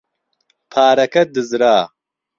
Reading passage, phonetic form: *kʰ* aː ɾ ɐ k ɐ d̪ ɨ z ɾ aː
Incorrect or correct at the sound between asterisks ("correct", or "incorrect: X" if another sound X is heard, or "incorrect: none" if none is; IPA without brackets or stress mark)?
incorrect: pʰ